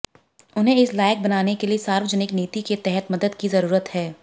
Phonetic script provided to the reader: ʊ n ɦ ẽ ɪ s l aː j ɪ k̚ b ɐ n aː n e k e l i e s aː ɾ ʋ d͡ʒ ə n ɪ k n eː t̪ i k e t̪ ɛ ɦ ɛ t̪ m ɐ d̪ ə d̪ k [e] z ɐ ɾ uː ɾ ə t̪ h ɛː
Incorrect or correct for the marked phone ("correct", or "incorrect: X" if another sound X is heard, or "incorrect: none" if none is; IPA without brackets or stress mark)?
incorrect: i